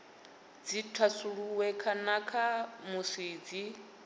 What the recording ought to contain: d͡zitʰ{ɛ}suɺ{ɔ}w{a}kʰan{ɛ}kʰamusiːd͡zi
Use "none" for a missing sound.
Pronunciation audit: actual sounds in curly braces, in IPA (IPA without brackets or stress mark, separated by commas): a, u, ɛ, a